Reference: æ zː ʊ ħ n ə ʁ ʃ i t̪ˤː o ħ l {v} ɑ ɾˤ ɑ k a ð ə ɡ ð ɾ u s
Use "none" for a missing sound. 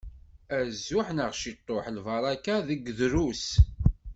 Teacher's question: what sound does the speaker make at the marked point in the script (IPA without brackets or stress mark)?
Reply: v